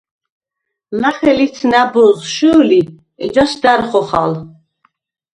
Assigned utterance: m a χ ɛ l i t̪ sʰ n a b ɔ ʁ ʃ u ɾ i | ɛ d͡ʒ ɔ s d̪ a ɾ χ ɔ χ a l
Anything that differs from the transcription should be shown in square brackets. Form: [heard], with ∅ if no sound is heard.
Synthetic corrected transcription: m a χ ɛ l i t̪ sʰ n a b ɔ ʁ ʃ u [l] i | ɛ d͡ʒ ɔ s d̪ a ɾ χ ɔ χ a l